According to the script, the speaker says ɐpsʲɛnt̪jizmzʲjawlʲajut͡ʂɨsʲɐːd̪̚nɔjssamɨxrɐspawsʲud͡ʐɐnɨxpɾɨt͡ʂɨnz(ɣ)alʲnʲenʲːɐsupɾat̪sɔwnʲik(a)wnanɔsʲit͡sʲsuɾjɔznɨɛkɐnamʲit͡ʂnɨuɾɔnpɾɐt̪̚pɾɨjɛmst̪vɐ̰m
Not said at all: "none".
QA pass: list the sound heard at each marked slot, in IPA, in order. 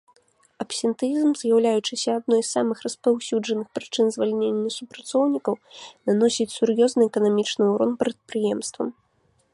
v, ɐ

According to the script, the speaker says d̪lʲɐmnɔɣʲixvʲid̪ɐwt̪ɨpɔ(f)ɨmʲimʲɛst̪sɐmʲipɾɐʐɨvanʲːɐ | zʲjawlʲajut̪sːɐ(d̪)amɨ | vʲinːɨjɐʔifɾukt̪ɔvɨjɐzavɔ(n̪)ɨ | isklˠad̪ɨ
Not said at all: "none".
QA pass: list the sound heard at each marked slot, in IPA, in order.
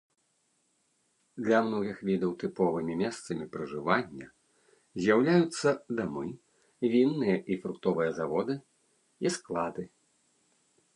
v, d̪, d̪

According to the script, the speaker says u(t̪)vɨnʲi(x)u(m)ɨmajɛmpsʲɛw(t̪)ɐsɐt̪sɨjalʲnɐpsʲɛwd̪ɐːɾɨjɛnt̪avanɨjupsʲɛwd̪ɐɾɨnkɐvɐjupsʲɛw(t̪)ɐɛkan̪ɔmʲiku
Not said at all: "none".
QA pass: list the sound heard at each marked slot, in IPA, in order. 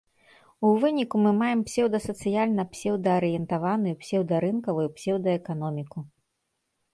none, k, m, d̪, d̪

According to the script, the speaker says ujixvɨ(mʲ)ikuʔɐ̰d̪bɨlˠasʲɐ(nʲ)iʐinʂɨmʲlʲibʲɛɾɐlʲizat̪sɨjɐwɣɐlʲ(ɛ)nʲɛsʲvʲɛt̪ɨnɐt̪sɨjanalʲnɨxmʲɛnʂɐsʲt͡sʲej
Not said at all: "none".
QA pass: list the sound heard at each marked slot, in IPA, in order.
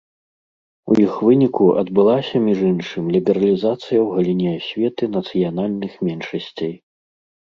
nʲ, mʲ, i

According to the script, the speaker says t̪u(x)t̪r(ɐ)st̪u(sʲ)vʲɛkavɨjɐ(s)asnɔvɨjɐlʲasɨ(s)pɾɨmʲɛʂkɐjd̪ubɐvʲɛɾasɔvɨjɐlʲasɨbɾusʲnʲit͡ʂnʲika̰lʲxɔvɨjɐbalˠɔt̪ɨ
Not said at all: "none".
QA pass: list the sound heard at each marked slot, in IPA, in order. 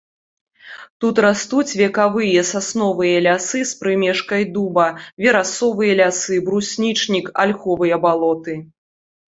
none, a, t͡sʲ, s, s

